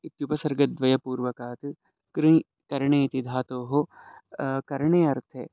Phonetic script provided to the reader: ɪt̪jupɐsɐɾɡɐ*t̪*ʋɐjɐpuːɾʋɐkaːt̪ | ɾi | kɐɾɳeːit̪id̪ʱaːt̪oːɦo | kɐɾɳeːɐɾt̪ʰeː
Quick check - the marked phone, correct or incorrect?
incorrect